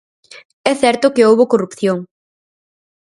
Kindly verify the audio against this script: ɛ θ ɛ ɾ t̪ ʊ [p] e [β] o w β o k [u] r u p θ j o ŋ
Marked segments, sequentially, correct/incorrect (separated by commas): incorrect, incorrect, incorrect